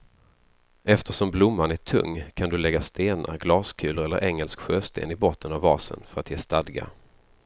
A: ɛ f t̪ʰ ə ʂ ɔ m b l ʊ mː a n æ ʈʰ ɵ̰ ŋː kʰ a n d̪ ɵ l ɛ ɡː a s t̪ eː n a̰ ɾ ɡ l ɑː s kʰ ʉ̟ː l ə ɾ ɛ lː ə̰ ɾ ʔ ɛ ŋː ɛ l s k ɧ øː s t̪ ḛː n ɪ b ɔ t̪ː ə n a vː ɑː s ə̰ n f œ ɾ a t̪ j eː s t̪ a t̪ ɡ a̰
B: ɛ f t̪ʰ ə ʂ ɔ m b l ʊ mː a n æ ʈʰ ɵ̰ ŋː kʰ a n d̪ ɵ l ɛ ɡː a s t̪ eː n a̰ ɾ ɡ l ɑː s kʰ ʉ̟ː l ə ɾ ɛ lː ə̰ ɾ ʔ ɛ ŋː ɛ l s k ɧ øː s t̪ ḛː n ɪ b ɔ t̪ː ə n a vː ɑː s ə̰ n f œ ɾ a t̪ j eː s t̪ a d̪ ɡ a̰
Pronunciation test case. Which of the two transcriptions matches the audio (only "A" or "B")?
B